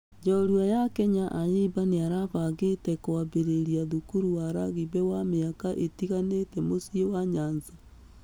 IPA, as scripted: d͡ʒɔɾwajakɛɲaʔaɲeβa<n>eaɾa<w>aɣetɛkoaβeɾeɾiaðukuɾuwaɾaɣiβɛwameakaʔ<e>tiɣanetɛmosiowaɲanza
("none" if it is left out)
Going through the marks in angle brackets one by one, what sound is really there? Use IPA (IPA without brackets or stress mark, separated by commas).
n, β, e